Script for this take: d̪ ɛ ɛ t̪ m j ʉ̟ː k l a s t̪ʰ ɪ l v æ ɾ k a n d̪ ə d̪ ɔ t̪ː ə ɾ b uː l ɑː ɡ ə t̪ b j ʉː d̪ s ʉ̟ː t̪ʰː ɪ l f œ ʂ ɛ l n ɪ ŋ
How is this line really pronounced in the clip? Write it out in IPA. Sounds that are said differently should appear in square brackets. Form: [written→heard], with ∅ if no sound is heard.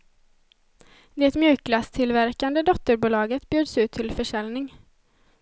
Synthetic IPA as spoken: d̪ ɛ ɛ t̪ m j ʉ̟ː k l a s t̪ʰ ɪ l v æ ɾ k a n d̪ ə d̪ ɔ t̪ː ə ɾ b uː l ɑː ɡ ə t̪ b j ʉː d̪ s ʉ̟ː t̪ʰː ɪ l f œ ʂ ɛ l n ɪ ŋ